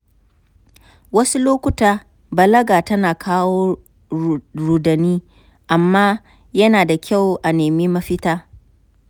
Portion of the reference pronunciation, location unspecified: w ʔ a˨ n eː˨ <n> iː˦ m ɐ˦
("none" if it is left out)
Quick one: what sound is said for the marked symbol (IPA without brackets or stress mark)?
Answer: m